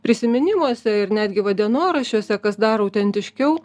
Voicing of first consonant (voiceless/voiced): voiceless